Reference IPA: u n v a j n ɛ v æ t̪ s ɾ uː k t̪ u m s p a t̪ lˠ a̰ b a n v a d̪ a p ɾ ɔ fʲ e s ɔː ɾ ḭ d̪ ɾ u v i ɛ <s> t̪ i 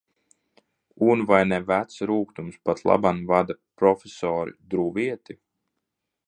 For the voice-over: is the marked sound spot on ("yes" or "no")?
no